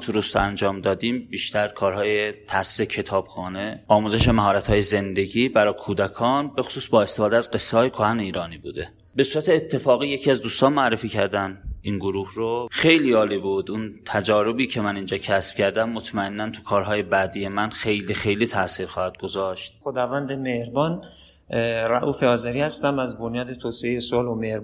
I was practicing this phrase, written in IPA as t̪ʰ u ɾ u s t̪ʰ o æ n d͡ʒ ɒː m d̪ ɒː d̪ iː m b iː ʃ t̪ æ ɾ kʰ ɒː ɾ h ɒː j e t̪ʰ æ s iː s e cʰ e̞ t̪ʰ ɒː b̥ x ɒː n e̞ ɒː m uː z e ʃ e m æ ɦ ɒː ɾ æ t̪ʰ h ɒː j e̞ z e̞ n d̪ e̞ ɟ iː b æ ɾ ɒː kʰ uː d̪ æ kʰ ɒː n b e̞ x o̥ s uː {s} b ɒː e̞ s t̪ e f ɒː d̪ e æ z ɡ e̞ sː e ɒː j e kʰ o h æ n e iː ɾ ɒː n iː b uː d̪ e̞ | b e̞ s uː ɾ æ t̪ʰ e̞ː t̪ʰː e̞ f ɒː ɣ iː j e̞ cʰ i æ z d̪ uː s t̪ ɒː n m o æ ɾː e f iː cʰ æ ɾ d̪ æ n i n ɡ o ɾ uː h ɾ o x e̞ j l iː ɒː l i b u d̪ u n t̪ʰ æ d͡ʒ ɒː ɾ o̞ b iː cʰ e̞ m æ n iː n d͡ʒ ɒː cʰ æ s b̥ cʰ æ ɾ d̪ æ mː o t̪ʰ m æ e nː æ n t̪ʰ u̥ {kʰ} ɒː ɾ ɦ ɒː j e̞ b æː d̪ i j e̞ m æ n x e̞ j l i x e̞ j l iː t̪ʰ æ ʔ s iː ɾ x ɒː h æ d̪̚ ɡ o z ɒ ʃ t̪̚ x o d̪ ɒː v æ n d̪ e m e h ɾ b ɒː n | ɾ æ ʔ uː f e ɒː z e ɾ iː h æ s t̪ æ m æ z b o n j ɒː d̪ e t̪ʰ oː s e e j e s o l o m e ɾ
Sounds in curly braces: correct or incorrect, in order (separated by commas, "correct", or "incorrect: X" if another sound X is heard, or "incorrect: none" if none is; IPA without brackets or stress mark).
correct, correct